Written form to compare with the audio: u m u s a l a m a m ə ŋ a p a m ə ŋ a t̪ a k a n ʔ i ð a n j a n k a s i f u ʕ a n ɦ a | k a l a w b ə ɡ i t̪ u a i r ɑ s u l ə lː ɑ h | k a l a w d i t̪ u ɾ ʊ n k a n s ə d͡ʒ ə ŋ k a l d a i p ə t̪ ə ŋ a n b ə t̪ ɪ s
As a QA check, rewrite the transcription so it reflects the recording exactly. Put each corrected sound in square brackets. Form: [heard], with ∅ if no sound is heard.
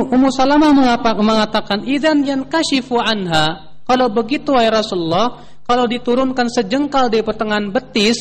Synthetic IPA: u m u s a l a m a m ə ŋ a p a m ə ŋ a t̪ a k a n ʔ i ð a n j a n k a [ʃ] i f u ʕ a n ɦ a | k a l a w b ə ɡ i t̪ u a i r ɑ s u l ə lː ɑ h | k a l a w d i t̪ u ɾ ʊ n k a n s ə d͡ʒ ə ŋ k a l d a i p ə t̪ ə ŋ a n b ə t̪ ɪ s